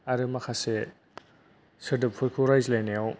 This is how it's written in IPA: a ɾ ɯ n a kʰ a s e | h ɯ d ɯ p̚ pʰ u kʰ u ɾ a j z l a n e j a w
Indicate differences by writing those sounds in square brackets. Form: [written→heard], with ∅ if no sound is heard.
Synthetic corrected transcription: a ɾ ɯ [n→m] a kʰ a s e | [h→s] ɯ d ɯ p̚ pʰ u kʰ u ɾ a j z l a n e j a w